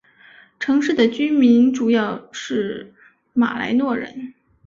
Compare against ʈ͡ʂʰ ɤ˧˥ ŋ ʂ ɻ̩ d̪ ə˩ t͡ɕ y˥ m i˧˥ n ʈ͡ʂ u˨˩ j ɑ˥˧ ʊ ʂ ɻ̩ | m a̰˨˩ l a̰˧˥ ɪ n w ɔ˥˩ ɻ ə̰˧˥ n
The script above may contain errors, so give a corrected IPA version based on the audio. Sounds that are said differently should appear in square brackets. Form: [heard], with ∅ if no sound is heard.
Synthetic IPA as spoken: ʈ͡ʂʰ ɤ˧˥ ŋ ʂ ɻ̩ d̪ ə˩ t͡ɕ y˥ m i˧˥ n ʈ͡ʂ u˨˩ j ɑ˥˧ ʊ ʂ ɻ̩ | m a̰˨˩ l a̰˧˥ ɪ n w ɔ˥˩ ɻ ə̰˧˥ n